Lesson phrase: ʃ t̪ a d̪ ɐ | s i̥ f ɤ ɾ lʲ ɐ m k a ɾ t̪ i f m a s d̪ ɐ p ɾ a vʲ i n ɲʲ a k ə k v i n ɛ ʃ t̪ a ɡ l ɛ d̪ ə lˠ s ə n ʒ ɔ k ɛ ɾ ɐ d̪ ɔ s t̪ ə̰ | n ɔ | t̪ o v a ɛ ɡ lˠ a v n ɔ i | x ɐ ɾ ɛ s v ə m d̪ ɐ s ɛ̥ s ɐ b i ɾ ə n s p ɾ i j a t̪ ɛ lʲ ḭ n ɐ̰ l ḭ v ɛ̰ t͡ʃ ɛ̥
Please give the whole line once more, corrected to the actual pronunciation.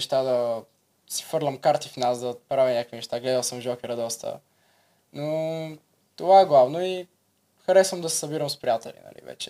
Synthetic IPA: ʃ t̪ a d̪ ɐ | s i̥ f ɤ ɾ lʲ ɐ m k a ɾ t̪ i f n a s d̪ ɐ p ɾ a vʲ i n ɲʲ a k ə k v i n ɛ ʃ t̪ a ɡ l ɛ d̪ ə lˠ s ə m ʒ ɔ k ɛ ɾ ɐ d̪ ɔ s t̪ ə̰ | n o | t̪ o v a ɛ ɡ lˠ a v n o i | x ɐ ɾ ɛ s v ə m d̪ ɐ s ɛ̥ s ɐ b i ɾ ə m s p ɾ i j a t̪ ɛ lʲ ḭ n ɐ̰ l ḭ v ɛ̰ t͡ʃ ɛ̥